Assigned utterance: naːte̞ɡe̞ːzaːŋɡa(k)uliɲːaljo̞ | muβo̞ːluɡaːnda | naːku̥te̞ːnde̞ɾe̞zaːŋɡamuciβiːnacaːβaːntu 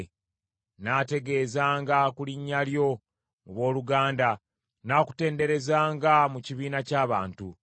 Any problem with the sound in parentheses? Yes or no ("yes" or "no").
no